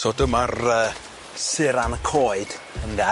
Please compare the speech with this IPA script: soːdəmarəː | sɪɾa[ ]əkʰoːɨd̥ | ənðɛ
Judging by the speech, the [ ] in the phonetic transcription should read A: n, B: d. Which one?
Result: A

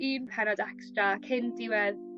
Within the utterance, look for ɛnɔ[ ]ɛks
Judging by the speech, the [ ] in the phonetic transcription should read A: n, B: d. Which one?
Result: B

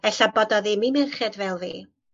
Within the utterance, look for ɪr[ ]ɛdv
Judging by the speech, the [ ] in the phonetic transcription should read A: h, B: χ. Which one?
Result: B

